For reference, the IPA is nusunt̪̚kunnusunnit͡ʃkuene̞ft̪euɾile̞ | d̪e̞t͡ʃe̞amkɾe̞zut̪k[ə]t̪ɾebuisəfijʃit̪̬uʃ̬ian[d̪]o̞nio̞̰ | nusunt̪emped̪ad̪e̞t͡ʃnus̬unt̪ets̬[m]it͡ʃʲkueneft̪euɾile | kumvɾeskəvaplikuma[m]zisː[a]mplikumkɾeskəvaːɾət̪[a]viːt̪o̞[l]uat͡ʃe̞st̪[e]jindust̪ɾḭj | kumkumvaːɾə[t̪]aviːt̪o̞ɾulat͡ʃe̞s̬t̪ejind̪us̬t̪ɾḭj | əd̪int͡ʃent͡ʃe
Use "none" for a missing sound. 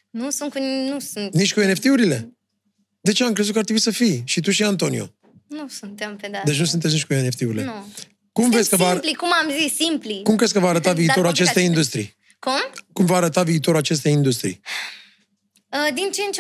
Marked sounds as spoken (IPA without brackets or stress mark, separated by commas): a, t̪, n, m, i, a, ɾ, e, t̪